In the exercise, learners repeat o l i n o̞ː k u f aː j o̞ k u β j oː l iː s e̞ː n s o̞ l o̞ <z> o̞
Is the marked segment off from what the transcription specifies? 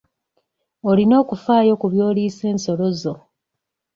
no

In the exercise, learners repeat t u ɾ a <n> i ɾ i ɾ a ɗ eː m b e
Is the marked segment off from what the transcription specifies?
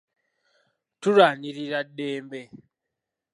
no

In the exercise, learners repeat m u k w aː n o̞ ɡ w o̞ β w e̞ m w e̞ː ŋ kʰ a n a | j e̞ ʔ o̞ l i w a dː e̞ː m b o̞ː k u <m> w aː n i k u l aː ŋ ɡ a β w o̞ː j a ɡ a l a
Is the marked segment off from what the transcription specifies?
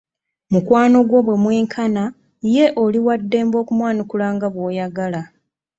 no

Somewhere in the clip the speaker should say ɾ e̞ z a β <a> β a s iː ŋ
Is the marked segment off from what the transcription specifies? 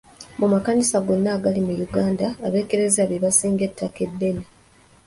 yes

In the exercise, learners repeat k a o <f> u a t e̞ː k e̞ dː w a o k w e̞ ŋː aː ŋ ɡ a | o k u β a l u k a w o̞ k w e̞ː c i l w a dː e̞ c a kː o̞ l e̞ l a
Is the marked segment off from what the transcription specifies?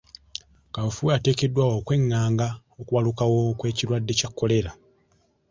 no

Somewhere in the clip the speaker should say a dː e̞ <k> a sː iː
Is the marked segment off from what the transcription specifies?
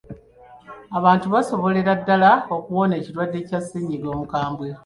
yes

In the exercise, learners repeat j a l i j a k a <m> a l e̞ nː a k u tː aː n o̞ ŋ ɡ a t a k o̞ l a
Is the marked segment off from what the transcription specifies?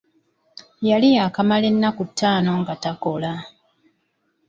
no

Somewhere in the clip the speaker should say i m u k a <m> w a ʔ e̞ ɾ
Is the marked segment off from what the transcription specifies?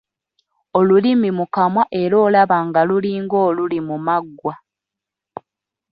no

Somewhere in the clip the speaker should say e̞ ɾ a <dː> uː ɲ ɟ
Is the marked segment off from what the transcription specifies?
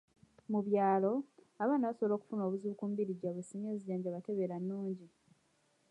yes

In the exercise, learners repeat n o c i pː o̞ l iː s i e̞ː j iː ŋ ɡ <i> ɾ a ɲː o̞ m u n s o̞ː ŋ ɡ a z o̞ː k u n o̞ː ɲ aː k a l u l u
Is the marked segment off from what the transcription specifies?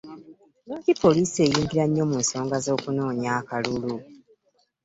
no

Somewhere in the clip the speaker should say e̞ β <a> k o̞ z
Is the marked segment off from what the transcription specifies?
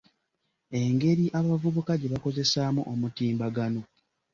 no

